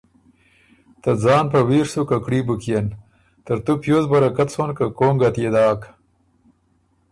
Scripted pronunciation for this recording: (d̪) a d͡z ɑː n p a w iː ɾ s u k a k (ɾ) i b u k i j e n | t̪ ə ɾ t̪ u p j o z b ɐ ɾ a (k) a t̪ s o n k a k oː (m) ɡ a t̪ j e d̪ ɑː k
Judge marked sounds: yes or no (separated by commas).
no, no, yes, no